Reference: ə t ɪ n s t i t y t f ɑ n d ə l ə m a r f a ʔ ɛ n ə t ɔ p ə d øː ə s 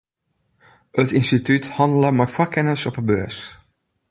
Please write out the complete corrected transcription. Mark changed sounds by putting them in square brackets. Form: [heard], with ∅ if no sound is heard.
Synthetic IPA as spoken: ə t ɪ n s t i t y t [h] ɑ n d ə l ə m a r f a [k] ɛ n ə [s] ɔ p ə [b] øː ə s